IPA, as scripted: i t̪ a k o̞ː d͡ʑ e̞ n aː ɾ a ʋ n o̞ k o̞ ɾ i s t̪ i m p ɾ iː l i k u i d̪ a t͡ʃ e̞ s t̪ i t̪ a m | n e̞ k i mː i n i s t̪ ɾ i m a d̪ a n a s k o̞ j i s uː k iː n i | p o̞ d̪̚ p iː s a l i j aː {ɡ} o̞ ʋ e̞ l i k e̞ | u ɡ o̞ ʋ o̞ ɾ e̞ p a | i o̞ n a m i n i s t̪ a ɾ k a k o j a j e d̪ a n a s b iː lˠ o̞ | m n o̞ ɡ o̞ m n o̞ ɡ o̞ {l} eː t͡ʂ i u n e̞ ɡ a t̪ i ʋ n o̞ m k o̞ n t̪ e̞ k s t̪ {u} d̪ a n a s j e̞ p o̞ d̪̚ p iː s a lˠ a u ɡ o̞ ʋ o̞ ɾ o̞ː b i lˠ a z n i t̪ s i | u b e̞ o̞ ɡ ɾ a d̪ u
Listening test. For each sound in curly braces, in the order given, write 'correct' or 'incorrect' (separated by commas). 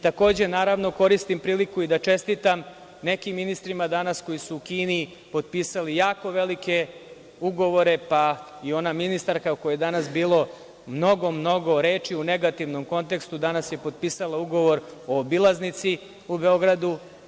incorrect, incorrect, correct